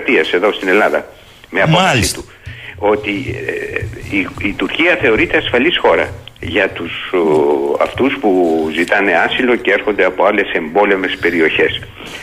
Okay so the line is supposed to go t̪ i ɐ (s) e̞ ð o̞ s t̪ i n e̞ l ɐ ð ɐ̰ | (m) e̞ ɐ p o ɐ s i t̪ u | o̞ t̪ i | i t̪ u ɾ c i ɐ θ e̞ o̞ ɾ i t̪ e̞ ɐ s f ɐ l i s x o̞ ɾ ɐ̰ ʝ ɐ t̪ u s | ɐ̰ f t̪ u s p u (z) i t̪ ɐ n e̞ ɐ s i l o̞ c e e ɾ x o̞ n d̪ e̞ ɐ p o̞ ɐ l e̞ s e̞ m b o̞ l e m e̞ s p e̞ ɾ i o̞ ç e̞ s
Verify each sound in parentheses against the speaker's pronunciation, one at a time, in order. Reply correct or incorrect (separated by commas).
correct, correct, correct